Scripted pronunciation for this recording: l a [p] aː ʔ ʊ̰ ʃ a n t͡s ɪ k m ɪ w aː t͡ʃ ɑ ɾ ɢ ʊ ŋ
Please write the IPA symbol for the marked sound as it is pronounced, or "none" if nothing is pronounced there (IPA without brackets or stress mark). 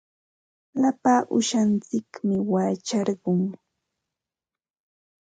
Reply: p